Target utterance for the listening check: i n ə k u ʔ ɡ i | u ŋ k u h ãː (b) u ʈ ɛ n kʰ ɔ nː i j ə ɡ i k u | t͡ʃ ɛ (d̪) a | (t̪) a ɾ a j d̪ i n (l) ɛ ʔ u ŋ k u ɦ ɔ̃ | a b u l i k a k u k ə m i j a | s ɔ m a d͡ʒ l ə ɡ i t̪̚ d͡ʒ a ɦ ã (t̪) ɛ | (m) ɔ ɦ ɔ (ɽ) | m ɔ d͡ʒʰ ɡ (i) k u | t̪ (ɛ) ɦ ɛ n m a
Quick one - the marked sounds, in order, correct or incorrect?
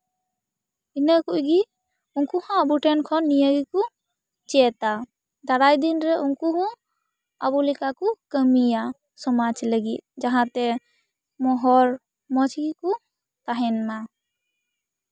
correct, incorrect, incorrect, incorrect, correct, correct, incorrect, correct, incorrect

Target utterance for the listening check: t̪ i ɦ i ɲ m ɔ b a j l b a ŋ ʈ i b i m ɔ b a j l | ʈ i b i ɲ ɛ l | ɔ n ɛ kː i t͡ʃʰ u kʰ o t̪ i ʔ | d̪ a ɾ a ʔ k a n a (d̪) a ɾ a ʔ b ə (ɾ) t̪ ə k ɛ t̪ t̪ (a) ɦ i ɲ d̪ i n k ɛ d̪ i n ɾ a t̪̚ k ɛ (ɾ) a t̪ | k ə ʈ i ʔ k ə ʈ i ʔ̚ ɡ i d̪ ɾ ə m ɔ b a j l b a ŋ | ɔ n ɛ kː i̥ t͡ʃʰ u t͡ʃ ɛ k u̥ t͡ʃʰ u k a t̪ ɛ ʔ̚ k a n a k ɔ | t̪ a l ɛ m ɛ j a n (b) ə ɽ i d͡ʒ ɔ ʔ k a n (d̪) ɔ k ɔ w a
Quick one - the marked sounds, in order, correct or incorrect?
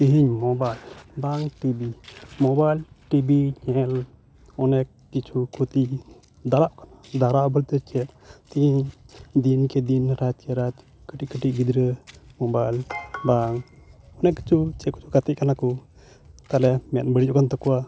correct, incorrect, incorrect, correct, correct, incorrect

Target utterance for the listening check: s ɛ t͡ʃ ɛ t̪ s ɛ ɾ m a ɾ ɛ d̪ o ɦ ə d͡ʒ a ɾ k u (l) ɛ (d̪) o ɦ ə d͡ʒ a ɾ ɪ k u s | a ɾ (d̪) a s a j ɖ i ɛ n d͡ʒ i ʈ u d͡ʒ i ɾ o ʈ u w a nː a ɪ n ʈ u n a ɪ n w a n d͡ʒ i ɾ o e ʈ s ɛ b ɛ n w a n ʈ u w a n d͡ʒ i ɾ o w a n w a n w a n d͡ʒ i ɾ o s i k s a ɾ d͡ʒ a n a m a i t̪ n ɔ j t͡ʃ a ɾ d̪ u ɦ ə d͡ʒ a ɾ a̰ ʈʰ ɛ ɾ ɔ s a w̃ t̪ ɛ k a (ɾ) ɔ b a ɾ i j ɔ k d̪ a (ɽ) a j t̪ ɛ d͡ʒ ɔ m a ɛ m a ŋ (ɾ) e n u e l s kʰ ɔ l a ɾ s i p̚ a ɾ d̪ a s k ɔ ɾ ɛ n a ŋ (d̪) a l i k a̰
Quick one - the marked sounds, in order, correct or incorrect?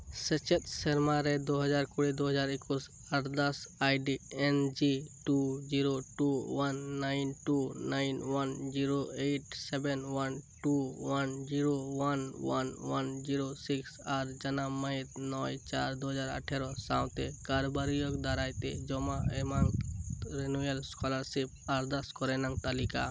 incorrect, correct, correct, correct, incorrect, correct, incorrect

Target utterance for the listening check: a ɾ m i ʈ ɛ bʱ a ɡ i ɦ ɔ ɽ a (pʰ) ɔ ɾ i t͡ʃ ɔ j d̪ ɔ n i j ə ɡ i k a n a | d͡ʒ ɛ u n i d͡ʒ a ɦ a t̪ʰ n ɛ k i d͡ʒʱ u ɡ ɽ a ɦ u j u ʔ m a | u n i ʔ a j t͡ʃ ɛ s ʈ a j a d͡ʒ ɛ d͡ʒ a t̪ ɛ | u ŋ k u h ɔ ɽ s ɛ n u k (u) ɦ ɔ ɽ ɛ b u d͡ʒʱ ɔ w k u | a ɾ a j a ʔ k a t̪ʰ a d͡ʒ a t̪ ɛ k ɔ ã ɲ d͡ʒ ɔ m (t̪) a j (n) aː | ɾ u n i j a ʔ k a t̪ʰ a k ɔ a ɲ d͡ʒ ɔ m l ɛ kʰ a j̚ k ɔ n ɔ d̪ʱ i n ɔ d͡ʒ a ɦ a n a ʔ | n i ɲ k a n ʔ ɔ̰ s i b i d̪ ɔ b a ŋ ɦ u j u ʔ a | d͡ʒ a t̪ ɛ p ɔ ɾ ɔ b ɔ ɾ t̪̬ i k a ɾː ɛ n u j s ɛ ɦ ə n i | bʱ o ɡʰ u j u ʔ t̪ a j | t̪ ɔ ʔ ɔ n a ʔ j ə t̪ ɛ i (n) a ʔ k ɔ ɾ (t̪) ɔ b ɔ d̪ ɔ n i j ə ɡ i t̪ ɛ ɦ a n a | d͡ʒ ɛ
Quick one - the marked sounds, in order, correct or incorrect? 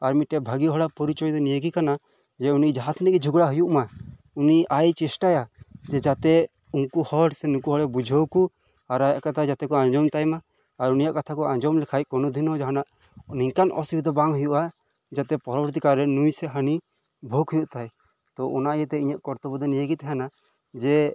incorrect, correct, correct, incorrect, incorrect, correct

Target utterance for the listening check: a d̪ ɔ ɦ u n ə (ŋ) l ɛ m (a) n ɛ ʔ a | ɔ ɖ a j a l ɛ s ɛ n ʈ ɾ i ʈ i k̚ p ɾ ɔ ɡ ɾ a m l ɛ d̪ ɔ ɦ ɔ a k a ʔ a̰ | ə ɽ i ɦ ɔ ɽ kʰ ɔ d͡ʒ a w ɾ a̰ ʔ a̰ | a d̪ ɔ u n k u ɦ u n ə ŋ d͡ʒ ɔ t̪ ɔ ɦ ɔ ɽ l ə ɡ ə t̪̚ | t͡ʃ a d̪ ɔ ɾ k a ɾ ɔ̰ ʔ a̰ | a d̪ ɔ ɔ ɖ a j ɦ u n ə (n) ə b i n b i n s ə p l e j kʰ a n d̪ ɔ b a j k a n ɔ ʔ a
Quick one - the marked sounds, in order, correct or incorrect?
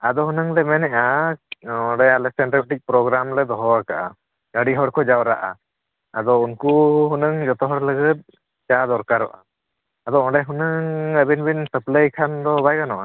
correct, incorrect, incorrect

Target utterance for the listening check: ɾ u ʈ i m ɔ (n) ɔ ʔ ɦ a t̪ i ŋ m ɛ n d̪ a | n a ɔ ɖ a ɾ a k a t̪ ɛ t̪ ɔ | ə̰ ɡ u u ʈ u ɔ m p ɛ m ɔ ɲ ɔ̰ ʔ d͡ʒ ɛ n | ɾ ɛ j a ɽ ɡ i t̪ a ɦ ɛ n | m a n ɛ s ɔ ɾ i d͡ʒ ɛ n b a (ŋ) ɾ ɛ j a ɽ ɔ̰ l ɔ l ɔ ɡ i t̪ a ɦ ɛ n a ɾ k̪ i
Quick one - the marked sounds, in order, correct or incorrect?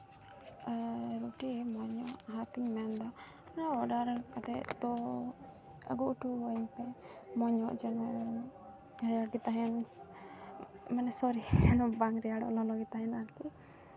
incorrect, correct

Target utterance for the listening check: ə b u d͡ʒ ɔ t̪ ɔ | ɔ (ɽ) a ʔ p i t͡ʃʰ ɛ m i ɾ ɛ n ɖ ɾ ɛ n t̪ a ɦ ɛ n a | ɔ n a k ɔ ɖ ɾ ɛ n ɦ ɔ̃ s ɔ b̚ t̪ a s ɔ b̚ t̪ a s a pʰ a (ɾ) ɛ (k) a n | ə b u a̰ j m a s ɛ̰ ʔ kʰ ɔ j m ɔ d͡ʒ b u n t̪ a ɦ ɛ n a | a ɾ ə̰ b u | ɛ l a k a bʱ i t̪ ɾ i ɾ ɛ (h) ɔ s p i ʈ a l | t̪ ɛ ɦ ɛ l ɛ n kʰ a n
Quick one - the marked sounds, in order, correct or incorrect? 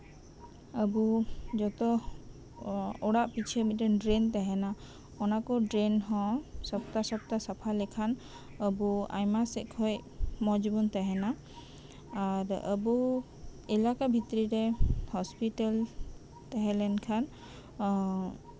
correct, incorrect, incorrect, correct

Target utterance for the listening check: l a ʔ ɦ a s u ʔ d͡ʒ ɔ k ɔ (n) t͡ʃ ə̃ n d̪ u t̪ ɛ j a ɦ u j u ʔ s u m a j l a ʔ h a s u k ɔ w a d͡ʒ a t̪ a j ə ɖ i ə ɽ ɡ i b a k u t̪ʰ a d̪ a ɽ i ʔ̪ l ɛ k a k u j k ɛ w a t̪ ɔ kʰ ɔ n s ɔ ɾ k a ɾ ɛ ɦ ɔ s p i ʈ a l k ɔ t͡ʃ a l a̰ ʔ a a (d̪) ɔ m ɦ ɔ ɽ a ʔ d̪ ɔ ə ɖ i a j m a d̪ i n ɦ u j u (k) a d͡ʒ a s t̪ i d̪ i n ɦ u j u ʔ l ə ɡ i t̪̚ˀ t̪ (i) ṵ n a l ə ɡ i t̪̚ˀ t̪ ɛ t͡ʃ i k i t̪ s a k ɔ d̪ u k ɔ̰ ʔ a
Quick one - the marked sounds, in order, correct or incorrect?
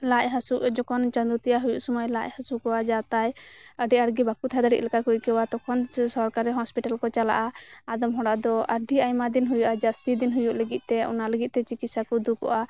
correct, correct, incorrect, incorrect

